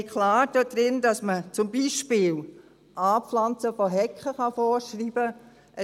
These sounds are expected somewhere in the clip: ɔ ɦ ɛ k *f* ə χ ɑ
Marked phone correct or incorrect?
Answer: incorrect